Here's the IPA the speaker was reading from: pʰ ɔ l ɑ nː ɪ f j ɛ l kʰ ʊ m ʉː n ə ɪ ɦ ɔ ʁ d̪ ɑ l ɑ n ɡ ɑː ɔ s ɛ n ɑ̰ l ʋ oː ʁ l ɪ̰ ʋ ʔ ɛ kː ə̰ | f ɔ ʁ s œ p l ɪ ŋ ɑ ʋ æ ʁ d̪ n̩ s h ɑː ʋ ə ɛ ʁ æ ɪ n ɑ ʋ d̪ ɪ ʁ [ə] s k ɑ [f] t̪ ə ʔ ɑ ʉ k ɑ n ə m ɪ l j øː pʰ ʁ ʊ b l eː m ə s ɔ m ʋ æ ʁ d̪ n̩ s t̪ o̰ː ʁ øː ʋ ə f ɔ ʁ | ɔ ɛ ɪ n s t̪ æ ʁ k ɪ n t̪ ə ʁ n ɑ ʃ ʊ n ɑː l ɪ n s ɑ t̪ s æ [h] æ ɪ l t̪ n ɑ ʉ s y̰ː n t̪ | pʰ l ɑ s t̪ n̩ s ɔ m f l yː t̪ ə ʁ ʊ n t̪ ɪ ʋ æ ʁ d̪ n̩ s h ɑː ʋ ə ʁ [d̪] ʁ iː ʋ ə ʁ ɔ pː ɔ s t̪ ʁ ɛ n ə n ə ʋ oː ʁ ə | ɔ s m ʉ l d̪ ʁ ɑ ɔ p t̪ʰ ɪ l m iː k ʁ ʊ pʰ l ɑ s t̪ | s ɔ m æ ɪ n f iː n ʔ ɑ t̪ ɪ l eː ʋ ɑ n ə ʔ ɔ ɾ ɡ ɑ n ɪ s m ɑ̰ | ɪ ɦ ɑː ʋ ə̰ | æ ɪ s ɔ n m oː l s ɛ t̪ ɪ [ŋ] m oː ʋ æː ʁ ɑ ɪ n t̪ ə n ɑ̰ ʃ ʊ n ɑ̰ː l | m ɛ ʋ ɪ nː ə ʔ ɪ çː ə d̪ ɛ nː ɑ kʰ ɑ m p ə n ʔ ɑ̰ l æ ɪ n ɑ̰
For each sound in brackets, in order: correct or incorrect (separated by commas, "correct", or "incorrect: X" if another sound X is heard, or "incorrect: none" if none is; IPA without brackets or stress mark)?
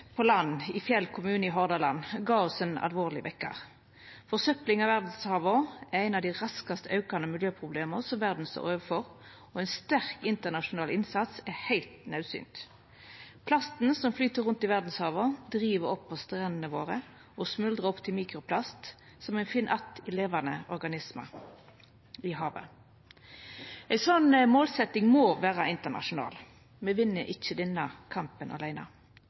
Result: incorrect: ɑ, incorrect: s, correct, correct, correct